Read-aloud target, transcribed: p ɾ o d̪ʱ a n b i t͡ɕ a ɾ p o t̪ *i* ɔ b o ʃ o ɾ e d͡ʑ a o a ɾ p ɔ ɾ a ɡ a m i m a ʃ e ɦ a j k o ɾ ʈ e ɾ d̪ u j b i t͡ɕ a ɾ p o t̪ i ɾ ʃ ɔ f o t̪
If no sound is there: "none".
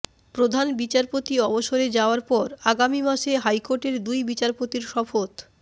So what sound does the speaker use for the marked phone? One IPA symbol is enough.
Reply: i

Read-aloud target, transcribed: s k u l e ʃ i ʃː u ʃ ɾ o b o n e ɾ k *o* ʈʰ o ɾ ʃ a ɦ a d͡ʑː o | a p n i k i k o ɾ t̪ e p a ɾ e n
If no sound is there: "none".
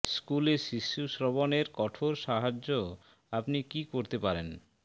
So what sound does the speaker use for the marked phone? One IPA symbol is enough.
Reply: ɔ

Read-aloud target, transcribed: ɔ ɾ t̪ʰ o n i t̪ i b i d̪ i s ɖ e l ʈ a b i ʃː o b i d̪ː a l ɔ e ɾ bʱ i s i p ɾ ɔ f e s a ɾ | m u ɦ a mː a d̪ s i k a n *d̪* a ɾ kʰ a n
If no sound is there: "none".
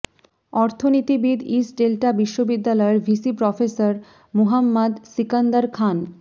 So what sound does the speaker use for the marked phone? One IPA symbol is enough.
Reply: d̪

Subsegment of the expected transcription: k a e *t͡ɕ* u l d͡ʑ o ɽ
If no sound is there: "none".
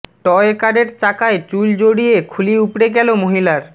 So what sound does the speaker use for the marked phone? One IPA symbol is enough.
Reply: t͡ɕ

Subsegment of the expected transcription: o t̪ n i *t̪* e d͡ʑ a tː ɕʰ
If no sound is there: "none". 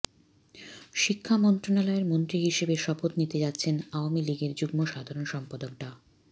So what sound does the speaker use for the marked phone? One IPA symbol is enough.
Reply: t̪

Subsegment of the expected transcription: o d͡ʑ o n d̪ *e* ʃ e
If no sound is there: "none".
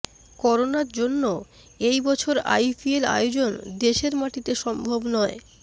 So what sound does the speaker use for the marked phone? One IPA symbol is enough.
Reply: e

